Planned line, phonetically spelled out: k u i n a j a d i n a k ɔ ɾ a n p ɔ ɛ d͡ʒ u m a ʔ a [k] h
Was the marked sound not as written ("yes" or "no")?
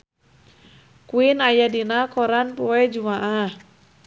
yes